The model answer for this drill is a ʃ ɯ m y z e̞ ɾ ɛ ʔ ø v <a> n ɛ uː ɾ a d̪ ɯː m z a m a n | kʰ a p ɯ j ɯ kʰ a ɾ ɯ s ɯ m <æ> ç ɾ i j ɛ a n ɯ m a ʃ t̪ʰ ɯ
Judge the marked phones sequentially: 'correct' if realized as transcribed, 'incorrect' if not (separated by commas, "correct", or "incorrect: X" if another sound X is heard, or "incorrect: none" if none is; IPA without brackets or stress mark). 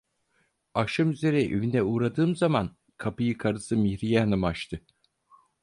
incorrect: i, incorrect: i